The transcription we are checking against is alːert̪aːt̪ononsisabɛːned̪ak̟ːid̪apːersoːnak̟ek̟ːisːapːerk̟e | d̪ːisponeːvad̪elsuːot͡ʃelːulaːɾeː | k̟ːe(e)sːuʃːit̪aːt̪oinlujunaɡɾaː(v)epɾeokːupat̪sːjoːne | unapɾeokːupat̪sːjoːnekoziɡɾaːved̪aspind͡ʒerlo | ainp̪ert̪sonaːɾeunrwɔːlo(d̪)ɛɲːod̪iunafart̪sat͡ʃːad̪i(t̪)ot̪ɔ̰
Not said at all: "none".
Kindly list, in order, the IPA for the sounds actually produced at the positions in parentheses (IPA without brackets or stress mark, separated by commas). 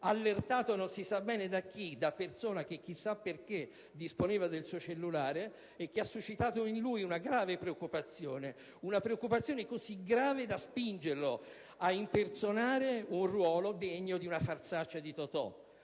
a, v, d̪, t̪